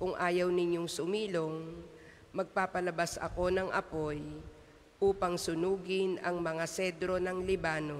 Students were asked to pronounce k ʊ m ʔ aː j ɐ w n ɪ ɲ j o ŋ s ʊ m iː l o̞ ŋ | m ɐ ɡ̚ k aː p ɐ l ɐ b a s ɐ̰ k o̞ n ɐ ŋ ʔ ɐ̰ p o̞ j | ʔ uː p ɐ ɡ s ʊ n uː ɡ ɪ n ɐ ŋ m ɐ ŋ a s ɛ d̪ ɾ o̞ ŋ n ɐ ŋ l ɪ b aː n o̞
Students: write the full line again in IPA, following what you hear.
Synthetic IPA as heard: k ʊ ŋ ʔ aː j ɐ w n ɪ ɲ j o ŋ s ʊ m iː l o̞ ŋ | m ɐ ɡ̚ p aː p ɐ l ɐ b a s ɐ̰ k o̞ n ɐ ŋ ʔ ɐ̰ p o̞ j | ʔ uː p ɐ ŋ s ʊ n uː ɡ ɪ n ɐ ŋ m ɐ ŋ a s ɛ d̪ ɾ o̞ n ɐ ŋ l ɪ b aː n o̞